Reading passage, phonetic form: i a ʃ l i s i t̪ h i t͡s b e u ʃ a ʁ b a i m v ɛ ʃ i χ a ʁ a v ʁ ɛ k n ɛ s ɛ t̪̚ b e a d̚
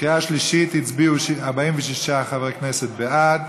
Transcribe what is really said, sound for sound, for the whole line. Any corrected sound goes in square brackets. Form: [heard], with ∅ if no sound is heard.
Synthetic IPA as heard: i a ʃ l i [ʃ] i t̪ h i t͡s b [i] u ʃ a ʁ b a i m v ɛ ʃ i [ʃ] a [χ] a v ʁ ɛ k n ɛ s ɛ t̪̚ b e a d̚